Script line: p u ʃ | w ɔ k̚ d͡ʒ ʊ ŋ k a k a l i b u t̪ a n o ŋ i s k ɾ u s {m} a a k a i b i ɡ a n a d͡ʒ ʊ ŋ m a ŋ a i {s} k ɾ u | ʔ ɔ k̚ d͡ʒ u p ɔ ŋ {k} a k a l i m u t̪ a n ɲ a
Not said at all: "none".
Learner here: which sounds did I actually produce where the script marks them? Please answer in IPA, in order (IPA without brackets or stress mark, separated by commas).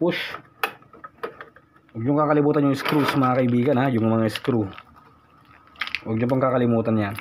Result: m, s, k